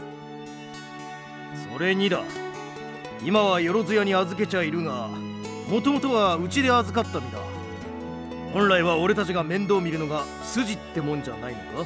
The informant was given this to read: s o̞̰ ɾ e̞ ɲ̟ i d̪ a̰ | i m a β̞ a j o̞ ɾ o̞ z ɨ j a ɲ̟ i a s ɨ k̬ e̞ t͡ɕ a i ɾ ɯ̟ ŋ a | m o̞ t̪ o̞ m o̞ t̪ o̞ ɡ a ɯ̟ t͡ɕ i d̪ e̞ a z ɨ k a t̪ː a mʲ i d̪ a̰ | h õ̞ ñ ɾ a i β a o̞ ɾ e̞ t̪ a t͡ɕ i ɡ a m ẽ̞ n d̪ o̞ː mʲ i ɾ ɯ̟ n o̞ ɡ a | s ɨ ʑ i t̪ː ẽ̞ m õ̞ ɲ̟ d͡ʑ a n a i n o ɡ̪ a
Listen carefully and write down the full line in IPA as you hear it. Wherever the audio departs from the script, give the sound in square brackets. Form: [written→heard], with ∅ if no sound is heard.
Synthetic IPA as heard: s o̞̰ ɾ e̞ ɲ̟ i d̪ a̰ | i m a β̞ a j o̞ ɾ o̞ z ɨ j a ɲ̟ i a [s→z] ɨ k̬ e̞ t͡ɕ a i ɾ ɯ̟ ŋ a | m o̞ t̪ o̞ m o̞ t̪ o̞ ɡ a ɯ̟ t͡ɕ i d̪ e̞ a z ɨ k a t̪ː a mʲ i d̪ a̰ | h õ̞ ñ ɾ a i β a o̞ ɾ e̞ t̪ a t͡ɕ i ɡ a m ẽ̞ n d̪ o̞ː mʲ i ɾ ɯ̟ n o̞ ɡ a | s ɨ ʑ i t̪ː [ẽ̞→e̞] m õ̞ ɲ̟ d͡ʑ a n a i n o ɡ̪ a